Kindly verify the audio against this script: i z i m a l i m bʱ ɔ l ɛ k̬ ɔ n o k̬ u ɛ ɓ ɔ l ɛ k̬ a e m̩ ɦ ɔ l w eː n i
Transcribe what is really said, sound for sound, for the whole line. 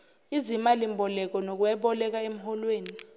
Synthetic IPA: i z i m a l i m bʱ ɔ l ɛ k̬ ɔ n o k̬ u ɛ ɓ ɔ l ɛ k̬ a e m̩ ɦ ɔ l w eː n i